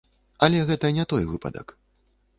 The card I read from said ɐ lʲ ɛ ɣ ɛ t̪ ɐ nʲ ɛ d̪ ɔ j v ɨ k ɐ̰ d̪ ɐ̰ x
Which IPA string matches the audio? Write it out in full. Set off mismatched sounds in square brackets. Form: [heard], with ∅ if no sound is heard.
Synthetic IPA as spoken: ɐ lʲ ɛ ɣ ɛ t̪ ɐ nʲ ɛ [t̪] ɔ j v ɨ [p] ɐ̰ d̪ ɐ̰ [k]